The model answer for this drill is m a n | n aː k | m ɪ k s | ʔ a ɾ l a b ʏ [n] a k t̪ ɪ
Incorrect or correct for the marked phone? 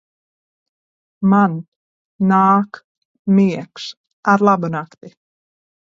correct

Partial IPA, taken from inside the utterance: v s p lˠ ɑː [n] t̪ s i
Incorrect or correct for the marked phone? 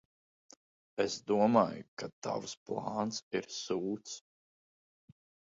correct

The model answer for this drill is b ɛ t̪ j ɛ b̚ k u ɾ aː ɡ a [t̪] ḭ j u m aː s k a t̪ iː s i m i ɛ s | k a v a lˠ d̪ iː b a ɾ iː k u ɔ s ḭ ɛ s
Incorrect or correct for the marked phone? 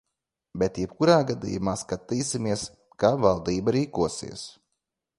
incorrect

